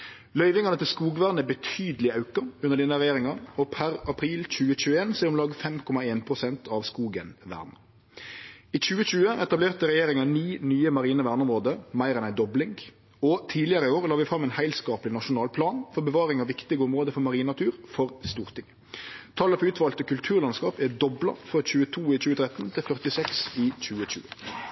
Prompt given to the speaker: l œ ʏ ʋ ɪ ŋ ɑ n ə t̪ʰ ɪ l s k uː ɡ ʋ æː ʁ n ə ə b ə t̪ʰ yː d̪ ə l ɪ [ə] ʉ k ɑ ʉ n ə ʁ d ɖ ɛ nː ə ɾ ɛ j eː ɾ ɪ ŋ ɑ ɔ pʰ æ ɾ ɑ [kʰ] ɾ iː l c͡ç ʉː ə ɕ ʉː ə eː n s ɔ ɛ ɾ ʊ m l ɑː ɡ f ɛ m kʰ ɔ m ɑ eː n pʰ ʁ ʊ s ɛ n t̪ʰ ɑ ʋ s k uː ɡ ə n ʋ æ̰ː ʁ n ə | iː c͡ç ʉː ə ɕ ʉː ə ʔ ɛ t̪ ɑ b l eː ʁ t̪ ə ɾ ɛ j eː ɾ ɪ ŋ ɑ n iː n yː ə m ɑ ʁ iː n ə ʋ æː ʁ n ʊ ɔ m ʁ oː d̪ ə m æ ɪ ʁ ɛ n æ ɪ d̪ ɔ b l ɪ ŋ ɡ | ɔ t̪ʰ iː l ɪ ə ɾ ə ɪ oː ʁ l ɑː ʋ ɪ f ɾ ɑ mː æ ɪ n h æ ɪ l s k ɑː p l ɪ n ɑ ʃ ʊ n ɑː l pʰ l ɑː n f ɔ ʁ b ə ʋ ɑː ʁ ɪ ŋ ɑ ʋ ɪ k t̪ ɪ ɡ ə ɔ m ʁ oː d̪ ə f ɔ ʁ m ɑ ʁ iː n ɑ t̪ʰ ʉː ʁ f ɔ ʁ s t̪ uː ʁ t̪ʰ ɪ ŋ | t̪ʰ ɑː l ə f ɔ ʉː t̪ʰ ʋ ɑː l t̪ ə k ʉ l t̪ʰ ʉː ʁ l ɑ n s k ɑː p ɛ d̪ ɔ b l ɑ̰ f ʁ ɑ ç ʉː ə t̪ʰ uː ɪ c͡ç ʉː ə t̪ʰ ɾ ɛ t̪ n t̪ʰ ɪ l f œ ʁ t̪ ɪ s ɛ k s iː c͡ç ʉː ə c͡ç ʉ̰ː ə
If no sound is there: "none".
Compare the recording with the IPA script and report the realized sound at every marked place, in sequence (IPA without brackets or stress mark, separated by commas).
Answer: ɑ, pʰ